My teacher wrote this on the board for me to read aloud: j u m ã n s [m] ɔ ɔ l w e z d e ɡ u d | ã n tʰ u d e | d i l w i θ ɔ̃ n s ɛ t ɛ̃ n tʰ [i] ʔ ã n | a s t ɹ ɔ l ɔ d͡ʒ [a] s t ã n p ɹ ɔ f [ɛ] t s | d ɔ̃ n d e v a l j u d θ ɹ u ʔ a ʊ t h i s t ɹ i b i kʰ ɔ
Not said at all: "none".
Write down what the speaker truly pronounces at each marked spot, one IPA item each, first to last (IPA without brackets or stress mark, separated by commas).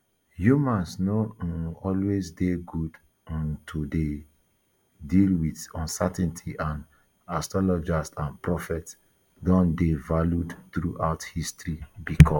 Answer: n, i, a, ɛ